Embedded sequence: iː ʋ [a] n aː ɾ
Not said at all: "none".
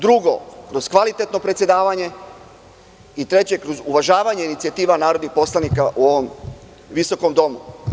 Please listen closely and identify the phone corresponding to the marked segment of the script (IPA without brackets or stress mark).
a